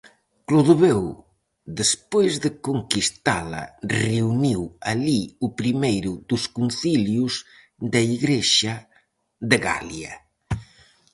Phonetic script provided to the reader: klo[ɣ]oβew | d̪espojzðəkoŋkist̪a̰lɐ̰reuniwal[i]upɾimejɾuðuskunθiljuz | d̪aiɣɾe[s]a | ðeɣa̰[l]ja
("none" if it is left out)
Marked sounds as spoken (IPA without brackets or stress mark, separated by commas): ð, i, ʃ, l